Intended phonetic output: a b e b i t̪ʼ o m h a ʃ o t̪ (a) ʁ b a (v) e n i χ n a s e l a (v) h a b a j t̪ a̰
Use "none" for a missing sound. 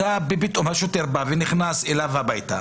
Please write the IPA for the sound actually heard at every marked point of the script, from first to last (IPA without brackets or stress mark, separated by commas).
e, v, v